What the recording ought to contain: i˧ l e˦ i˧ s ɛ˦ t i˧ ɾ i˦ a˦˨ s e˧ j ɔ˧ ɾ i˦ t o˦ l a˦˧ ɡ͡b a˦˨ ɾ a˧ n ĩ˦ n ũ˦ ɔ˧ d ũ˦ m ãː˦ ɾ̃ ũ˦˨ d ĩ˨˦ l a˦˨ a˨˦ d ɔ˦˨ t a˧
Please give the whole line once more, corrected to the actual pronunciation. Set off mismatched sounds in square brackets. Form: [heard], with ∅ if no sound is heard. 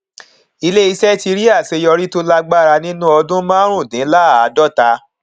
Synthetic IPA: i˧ l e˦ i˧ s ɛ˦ t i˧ ɾ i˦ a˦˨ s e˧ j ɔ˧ ɾ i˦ t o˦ l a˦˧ ɡ͡b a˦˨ ɾ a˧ n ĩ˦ n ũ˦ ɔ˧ d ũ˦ m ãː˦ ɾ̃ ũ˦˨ d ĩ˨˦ l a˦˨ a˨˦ d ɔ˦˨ t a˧